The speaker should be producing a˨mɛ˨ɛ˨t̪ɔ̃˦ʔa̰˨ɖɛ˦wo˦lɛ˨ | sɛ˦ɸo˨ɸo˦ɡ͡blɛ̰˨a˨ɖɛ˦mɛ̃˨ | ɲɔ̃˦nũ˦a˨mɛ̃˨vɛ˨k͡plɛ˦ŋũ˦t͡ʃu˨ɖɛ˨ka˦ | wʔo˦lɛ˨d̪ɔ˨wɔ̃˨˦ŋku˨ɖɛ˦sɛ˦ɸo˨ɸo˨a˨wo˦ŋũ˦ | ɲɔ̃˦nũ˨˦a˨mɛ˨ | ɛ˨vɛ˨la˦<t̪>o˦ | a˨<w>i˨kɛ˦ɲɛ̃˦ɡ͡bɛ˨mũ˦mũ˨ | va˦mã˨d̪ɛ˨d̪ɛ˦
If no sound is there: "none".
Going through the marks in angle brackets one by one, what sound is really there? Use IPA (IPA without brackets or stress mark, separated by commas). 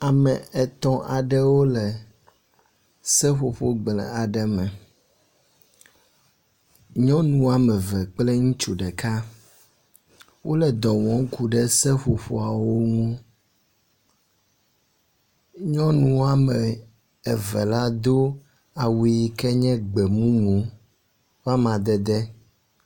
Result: d̪, w